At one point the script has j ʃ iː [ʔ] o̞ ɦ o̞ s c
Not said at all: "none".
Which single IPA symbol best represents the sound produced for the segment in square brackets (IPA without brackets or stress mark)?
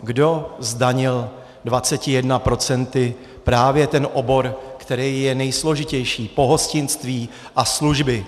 p